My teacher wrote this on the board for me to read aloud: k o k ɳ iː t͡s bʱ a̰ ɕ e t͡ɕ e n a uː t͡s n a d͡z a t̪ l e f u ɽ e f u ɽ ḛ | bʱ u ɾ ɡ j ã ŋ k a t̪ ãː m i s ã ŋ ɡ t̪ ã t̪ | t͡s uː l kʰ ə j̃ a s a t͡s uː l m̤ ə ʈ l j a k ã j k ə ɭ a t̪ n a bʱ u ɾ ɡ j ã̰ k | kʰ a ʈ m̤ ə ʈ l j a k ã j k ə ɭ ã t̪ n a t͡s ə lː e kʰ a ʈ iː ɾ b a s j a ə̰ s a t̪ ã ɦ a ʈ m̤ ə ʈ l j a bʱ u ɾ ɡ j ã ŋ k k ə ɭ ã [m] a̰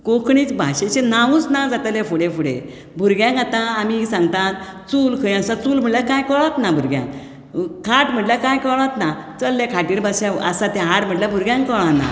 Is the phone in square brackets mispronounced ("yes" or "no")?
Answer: yes